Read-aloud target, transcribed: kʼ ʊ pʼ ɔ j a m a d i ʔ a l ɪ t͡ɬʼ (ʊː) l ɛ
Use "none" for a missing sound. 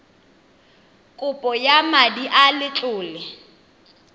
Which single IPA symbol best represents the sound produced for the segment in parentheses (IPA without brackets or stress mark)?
ʊː